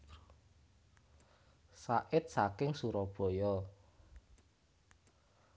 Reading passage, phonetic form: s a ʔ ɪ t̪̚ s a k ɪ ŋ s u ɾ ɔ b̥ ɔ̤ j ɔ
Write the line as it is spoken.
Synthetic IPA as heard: s a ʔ ɪ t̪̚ s a k ɪ ŋ s u ɾ ɔ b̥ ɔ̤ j ɔ